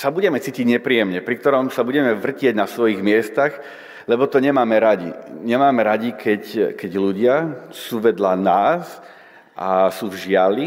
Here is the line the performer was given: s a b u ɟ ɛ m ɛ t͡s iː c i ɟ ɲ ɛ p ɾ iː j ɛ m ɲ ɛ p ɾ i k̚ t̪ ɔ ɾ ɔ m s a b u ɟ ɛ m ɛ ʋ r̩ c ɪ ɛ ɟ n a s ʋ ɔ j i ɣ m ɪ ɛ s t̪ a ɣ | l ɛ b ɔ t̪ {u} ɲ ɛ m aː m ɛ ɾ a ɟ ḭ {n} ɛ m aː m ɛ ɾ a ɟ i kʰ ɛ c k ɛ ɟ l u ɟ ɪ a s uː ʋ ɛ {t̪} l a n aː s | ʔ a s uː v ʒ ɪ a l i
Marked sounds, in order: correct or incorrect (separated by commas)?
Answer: incorrect, incorrect, incorrect